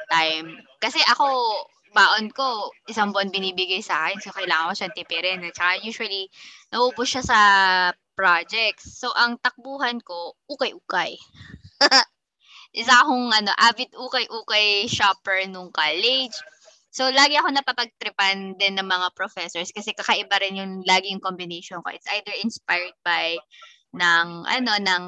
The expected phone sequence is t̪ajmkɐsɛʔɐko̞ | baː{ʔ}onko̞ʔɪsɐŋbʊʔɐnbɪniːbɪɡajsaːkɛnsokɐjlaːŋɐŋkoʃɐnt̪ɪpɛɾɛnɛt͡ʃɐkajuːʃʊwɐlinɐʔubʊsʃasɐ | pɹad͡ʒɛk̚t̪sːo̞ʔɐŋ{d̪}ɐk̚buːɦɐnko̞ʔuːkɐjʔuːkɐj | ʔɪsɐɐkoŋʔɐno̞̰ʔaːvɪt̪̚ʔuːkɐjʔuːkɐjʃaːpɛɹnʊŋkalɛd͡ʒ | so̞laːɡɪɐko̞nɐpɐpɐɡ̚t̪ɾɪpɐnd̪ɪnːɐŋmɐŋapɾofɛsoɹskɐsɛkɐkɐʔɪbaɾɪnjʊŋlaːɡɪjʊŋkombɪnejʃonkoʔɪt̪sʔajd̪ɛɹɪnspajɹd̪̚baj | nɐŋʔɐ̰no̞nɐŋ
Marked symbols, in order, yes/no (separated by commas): yes, no